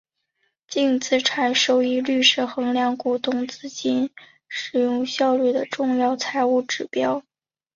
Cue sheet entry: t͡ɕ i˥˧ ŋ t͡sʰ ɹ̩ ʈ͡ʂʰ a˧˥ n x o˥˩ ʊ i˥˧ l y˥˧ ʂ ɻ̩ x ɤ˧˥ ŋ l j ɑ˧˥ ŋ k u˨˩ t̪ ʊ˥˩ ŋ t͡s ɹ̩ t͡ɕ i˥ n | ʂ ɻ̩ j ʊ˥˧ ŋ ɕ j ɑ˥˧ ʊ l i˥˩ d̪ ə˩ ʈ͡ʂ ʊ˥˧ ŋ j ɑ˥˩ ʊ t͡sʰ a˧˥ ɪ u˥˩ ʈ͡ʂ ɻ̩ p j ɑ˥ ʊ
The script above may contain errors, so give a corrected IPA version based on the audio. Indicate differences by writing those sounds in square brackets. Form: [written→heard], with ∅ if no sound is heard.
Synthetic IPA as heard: t͡ɕ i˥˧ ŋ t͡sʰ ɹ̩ ʈ͡ʂʰ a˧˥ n [x→ʂ] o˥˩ ʊ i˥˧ l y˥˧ ʂ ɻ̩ x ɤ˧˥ ŋ l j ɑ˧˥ ŋ k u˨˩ t̪ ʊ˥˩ ŋ t͡s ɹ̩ t͡ɕ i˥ n | ʂ ɻ̩ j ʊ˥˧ ŋ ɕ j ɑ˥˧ ʊ l [i˥˩→y˥˩] d̪ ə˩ ʈ͡ʂ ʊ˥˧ ŋ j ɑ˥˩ ʊ t͡sʰ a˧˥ ɪ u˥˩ ʈ͡ʂ ɻ̩ p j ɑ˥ ʊ